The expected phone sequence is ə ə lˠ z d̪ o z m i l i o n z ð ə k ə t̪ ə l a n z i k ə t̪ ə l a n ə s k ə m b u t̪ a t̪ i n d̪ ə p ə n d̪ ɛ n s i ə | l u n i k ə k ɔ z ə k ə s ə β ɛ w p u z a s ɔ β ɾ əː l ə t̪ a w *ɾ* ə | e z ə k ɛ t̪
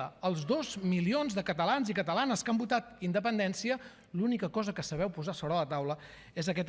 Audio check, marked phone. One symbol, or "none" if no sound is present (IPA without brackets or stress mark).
l